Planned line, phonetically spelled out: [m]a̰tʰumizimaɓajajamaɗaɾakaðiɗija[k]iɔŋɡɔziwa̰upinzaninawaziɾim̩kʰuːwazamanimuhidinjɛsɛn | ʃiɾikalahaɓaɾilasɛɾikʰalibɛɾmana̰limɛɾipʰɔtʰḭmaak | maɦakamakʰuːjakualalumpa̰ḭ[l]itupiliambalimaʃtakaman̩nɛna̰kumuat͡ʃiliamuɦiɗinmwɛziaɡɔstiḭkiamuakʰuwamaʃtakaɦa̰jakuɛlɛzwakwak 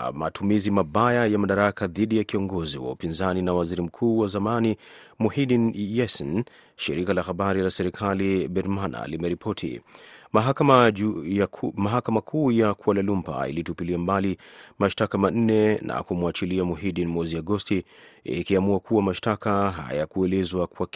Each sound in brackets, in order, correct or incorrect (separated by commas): correct, correct, correct